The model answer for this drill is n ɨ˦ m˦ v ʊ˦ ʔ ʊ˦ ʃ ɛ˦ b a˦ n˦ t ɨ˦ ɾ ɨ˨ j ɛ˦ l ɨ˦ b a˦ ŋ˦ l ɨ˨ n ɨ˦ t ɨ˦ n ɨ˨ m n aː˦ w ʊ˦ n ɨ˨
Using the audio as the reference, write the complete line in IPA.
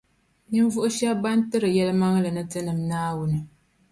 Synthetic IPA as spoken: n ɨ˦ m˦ v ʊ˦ ʔ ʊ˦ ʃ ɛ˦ b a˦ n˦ t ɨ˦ ɾ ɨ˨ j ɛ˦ l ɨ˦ m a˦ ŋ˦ l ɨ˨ n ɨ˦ t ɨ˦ n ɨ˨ m n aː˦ w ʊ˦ n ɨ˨